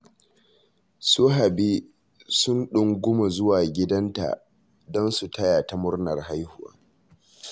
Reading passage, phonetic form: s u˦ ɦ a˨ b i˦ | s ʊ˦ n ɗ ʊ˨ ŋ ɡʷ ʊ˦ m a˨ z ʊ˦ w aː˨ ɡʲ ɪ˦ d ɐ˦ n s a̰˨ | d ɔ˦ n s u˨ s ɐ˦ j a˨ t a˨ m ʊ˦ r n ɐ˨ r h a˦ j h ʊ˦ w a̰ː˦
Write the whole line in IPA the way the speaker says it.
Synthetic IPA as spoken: s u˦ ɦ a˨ b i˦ | s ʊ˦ n ɗ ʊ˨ ŋ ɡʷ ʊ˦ m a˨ z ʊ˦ w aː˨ ɡʲ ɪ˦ d ɐ˦ n t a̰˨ | d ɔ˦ n s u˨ t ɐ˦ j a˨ t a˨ m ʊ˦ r n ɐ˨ r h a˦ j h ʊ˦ w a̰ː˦